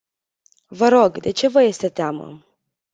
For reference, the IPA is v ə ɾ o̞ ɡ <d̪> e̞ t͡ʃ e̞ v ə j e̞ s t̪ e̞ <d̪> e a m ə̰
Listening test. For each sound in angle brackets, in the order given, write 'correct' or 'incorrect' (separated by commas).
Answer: correct, incorrect